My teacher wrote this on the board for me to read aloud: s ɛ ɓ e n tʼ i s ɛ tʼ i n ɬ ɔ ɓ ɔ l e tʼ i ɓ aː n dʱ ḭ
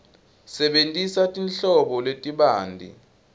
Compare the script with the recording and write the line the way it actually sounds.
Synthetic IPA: s ɛ ɓ e n tʼ i s a tʼ i n ɬ ɔ ɓ ɔ l e tʼ i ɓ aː n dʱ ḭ